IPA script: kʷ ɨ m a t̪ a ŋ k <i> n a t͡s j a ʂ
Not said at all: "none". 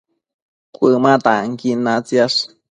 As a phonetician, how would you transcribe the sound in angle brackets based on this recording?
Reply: i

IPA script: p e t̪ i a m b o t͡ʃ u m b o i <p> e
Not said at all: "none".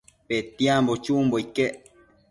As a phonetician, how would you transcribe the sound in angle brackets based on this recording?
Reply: k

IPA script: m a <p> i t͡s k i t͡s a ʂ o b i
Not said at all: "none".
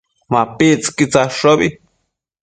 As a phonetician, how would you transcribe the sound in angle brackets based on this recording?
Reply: p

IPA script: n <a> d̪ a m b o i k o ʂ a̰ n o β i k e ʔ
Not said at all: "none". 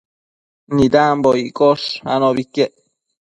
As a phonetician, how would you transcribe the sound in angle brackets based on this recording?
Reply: i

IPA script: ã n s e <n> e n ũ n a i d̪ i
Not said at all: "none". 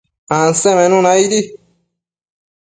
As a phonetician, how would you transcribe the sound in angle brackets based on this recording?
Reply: m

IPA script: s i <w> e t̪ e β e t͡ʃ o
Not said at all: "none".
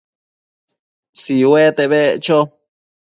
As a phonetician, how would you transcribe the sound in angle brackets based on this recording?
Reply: w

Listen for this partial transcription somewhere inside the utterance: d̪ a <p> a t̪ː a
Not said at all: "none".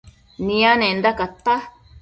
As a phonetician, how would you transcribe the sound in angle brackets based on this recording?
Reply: k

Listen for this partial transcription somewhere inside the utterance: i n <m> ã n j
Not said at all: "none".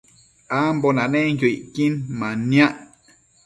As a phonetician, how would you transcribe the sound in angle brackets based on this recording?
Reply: m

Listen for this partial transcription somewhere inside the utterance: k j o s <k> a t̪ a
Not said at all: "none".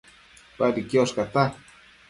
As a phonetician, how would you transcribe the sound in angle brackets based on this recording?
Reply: k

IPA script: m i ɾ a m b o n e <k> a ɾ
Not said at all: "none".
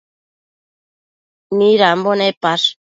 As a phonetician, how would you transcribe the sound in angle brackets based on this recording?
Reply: p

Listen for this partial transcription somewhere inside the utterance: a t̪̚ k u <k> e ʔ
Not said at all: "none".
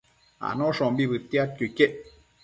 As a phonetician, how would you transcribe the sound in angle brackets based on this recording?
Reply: k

